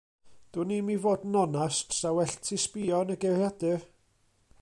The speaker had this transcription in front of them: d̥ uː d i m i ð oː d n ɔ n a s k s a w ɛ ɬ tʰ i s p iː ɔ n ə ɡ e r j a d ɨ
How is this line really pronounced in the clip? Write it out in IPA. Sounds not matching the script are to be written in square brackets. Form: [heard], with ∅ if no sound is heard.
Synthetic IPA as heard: d̥ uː [n] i m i [v] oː d n ɔ n a s [t] s a w ɛ ɬ tʰ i s p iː ɔ n ə ɡ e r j a d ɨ